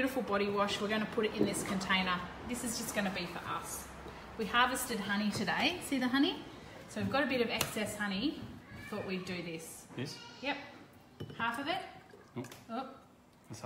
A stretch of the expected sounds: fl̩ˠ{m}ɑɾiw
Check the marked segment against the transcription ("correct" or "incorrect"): incorrect